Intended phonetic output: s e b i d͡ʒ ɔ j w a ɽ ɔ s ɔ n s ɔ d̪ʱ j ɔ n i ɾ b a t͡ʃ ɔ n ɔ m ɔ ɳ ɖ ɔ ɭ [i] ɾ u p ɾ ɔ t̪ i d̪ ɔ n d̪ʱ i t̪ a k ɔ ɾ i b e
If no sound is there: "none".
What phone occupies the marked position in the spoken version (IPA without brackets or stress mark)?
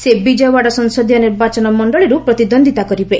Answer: i